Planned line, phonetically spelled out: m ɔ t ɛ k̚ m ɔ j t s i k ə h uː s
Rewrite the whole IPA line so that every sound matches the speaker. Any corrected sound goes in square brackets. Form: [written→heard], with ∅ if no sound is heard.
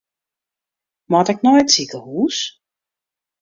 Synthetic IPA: m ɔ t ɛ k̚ [m→n] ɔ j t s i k ə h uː s